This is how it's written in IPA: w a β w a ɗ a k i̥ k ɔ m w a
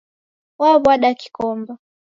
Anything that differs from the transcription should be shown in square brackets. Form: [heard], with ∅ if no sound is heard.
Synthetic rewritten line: w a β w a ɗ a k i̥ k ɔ m [b] a